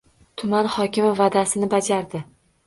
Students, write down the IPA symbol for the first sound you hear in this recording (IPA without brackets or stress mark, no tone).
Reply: t̪ʰ